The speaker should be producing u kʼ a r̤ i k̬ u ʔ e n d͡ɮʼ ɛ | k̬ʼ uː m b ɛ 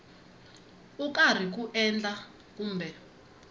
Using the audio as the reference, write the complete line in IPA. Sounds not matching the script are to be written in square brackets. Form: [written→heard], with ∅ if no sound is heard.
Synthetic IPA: u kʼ a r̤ i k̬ u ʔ [e→ɛ] n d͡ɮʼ [ɛ→a] | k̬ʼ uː m b ɛ